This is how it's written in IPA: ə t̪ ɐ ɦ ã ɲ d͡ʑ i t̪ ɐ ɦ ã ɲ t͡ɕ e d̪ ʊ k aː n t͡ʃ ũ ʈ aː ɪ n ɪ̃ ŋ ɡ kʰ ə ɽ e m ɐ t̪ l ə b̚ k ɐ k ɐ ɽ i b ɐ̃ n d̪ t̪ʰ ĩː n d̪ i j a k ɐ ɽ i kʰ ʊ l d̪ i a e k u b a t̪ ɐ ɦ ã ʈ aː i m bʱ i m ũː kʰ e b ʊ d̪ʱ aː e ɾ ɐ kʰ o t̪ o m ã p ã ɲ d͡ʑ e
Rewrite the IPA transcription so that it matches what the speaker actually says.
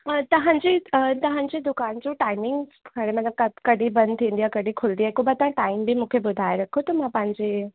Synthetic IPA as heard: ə t̪ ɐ ɦ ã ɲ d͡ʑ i t̪ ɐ ɦ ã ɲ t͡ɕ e d̪ ʊ k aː n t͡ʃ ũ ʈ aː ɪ m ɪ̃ ŋ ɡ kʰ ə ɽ e m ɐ t̪ l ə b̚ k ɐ k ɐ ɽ i b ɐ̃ n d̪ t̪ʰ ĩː n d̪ i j a k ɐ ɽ i kʰ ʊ l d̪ i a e k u b a t̪ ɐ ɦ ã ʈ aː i m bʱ i m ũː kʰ e b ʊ d̪ʱ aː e ɾ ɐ kʰ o t̪ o m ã p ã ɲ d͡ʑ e